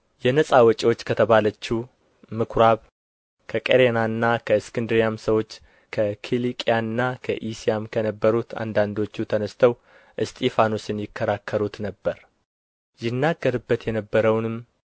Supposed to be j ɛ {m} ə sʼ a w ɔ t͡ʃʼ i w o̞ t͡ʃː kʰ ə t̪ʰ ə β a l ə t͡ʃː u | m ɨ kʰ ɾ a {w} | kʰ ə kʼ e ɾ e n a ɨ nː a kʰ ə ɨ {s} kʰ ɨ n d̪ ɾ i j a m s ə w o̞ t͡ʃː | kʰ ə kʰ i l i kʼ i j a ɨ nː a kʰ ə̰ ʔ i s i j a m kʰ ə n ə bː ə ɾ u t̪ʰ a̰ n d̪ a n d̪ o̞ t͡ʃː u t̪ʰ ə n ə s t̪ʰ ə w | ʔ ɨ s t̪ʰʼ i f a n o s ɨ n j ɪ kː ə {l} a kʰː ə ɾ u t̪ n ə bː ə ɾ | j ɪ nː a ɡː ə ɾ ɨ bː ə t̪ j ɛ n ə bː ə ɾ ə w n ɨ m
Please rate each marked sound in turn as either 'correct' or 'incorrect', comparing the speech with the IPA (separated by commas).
incorrect, incorrect, correct, incorrect